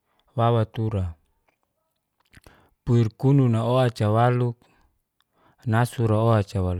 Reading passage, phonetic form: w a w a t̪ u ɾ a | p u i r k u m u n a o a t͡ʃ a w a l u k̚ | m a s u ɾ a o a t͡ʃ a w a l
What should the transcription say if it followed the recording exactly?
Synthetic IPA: w a w a t̪ u ɾ a | p u i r k u n u n a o a t͡ʃ a w a l u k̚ | n a s u ɾ a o a t͡ʃ a w a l

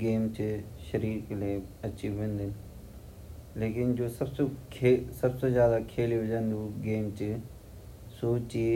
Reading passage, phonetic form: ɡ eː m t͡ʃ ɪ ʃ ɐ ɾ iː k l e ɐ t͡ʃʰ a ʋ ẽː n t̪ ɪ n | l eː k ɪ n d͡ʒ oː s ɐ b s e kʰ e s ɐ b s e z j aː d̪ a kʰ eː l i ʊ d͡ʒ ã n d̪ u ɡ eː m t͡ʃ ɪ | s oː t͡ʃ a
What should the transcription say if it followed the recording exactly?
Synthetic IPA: ɡ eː m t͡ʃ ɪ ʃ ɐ ɾ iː k l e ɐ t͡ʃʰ i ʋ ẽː n d̪ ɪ n | l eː k ɪ n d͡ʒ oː s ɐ b s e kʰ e s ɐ b s e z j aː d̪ a kʰ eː l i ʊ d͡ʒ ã n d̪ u ɡ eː m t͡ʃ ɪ | s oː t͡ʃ i

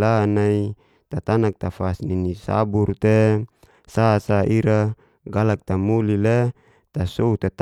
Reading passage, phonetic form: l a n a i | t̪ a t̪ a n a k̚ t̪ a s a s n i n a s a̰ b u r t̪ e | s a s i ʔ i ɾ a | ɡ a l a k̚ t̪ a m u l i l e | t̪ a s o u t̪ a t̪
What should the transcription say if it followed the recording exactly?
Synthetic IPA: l a n a i | t̪ a t̪ a n a k̚ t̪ a f a s n i n i s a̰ b u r t̪ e | s a s a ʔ i ɾ a | ɡ a l a k̚ t̪ a m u l i l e | t̪ a s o u t̪ a t̪

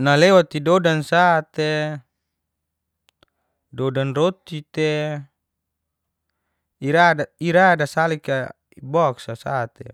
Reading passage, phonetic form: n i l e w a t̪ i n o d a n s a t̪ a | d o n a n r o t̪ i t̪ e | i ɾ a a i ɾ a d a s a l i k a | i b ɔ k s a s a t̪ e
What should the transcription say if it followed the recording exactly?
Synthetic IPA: n a l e w a t̪ i d o d a n s a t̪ e | d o d a n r o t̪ i t̪ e | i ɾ a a i ɾ a d a s a l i k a | i b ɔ k s a s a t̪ e

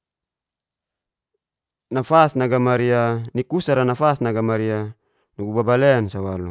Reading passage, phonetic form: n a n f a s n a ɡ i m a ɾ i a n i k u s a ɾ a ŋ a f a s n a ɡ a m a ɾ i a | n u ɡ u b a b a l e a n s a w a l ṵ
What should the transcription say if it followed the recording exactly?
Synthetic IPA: n a f a s n a ɡ a m a ɾ i a n i k u s a ɾ a n a f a s n a ɡ a m a ɾ i a | n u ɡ u b a b a l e a n s a w a l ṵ

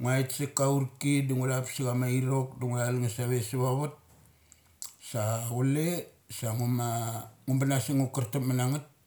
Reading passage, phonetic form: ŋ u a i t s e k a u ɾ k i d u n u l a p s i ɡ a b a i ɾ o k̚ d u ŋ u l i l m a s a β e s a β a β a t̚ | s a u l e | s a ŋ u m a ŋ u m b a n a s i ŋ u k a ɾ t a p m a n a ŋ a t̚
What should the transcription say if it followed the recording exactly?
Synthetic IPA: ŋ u a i t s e k a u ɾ k i d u ŋ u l a p s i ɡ a m a i ɾ o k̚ d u ŋ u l a l ŋ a s a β e s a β a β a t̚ | s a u l e | s a ŋ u m a ŋ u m b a n a s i ŋ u k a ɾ t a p m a n a ŋ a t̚

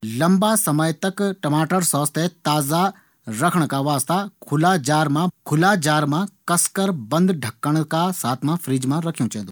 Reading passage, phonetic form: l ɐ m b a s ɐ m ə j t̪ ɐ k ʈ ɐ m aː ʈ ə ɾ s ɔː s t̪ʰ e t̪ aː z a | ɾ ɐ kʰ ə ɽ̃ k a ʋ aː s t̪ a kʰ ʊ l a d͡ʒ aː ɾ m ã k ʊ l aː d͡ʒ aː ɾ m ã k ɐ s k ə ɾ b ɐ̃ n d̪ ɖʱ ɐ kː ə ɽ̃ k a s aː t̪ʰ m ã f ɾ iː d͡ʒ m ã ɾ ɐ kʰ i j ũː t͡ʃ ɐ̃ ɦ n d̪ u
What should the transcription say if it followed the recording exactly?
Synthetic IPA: l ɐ m b a s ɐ m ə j t̪ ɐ k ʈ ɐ m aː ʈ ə ɾ s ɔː s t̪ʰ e t̪ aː z a | ɾ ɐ kʰ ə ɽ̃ k a ʋ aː s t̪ a kʰ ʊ l a d͡ʒ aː ɾ m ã kʰ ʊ l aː d͡ʒ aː ɾ m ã k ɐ s k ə ɾ b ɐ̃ n d̪ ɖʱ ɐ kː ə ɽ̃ k a s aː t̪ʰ m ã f ɾ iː d͡ʒ m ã ɾ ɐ kʰ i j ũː t͡ʃ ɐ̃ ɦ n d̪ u

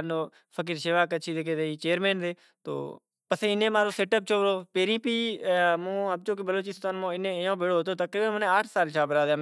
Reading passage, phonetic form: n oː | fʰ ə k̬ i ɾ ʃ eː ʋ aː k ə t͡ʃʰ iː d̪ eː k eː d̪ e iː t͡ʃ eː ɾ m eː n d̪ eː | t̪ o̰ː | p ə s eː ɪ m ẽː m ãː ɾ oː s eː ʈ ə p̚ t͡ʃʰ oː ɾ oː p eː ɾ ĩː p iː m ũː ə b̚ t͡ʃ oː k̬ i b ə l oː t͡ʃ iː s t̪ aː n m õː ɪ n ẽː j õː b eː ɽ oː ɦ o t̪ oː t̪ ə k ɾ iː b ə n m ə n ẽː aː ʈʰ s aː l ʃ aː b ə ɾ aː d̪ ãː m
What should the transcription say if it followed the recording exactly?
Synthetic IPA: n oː | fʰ ə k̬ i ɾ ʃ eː ʋ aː k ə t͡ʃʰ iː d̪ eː k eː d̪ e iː t͡ʃ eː ɾ m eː n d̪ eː | t̪ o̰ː | p ə s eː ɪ n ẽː m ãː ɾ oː s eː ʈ ə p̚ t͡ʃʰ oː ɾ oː p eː ɾ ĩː p iː m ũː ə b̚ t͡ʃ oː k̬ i b ə l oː t͡ʃ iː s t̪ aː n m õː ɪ n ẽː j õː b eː ɽ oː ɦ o t̪ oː t̪ ə k ɾ iː b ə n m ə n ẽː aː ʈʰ s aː l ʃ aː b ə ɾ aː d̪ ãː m

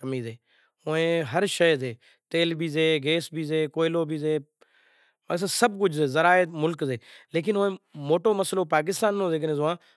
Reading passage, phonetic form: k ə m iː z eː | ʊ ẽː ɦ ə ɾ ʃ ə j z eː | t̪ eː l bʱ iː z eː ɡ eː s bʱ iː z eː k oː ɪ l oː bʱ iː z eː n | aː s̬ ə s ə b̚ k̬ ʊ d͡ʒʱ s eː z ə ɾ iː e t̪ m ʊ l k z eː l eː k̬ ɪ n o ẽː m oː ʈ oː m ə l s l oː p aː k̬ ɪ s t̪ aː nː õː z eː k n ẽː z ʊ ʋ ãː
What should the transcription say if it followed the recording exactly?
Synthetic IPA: k ə m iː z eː | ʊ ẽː ɦ ə ɾ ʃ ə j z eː | t̪ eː l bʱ iː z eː ɡ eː s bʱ iː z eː k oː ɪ l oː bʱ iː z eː | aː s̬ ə s ə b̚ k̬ ʊ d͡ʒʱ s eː z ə ɾ aː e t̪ m ʊ l k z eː l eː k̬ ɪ n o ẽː m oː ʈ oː m ə s l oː p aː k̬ ɪ s t̪ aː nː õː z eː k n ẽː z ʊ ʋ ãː

